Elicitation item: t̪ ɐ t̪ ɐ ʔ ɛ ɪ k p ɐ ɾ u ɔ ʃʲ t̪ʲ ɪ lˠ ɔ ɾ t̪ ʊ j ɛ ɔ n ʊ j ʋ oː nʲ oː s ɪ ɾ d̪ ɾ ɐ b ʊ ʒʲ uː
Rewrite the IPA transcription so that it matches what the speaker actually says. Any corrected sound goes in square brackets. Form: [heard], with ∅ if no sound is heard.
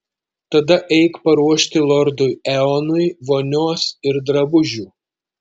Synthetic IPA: t̪ ɐ [d̪] ɐ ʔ ɛ ɪ k p ɐ ɾ u ɔ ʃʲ t̪ʲ ɪ lˠ ɔ ɾ [d̪] ʊ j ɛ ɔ n ʊ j ʋ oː nʲ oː s ɪ ɾ d̪ ɾ ɐ b ʊ ʒʲ uː